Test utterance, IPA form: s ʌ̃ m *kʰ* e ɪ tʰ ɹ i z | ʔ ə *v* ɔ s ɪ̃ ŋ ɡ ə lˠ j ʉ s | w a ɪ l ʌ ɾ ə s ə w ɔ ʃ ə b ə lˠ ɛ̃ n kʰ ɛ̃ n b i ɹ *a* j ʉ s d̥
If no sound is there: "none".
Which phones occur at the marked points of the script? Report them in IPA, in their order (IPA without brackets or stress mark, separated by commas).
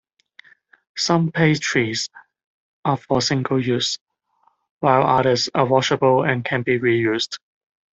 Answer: pʰ, f, i